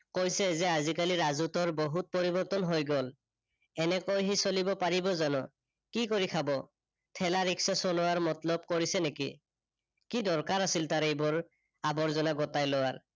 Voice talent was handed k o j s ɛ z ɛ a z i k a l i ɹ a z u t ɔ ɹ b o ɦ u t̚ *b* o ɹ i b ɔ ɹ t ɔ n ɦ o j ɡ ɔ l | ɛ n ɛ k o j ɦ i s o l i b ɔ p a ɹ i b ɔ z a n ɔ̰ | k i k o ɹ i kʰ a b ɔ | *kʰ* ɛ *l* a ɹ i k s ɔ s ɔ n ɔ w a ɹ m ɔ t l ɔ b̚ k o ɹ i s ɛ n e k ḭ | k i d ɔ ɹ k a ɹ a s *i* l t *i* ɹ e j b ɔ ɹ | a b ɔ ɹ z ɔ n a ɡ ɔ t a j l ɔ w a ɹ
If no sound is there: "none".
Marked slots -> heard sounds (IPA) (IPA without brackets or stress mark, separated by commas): p, tʰ, l, i, a